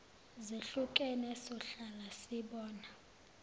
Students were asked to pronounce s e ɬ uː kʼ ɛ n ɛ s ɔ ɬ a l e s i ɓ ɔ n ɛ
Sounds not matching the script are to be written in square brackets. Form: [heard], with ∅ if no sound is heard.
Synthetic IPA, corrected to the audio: [z] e ɬ [u] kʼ ɛ n ɛ s ɔ ɬ a l [a] s i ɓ [ɔː] n [a]